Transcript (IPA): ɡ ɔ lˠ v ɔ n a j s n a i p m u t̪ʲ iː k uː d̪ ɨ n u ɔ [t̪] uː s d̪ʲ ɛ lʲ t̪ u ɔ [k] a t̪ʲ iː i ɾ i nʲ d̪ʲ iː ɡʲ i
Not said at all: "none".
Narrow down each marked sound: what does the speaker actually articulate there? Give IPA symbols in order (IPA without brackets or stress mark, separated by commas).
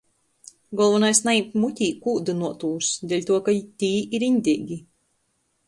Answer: t̪, k